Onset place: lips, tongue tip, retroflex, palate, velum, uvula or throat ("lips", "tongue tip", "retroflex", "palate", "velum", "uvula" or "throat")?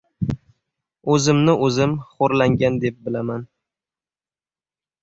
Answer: tongue tip